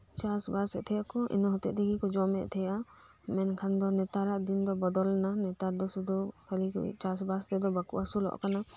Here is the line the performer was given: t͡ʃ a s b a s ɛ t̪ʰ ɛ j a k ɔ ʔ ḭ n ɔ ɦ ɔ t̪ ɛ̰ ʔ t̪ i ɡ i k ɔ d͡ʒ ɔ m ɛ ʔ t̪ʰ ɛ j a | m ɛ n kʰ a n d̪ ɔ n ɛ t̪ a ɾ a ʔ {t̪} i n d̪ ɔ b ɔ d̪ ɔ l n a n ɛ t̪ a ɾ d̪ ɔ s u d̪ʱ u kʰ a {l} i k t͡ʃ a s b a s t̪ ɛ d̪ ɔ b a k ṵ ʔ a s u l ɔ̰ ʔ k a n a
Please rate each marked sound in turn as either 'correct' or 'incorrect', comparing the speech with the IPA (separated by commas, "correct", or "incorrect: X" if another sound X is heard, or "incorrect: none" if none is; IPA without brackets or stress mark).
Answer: incorrect: d̪, correct